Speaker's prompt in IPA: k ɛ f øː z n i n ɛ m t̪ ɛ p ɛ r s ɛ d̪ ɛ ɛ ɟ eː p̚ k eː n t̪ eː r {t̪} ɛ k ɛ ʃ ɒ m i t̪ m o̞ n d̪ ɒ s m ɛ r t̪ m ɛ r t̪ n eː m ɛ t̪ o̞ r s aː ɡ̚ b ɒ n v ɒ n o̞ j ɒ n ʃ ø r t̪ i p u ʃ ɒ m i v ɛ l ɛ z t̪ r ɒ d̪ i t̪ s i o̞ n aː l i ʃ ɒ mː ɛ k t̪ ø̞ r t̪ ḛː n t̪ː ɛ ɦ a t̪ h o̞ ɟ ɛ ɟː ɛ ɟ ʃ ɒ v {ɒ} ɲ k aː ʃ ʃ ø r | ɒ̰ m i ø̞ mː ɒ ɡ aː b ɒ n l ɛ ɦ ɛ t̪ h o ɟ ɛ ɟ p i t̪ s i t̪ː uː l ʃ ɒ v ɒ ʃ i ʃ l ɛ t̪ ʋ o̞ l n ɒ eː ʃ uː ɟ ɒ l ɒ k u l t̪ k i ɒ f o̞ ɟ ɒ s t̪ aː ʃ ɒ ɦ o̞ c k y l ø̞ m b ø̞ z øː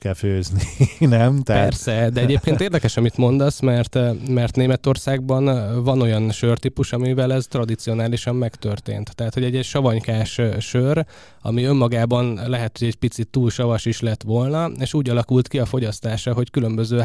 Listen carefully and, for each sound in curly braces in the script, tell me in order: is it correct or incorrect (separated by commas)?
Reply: incorrect, correct